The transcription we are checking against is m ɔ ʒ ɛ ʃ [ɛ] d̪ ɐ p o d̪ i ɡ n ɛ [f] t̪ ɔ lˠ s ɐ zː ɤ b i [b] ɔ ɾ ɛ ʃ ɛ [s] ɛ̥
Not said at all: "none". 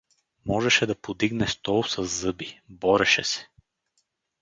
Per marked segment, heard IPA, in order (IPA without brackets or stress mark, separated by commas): ɛ, s, b, s